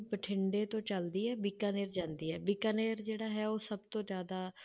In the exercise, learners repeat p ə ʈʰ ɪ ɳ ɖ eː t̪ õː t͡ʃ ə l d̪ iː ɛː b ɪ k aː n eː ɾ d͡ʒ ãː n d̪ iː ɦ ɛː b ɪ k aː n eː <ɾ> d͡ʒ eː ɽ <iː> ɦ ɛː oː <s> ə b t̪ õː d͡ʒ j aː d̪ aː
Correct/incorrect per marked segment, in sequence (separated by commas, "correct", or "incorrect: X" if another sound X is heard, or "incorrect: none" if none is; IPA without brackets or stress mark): correct, incorrect: aː, correct